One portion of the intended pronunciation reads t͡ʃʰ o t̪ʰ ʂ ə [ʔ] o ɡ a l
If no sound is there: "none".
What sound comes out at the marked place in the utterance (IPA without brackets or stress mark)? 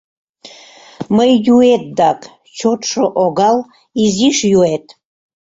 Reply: ʔ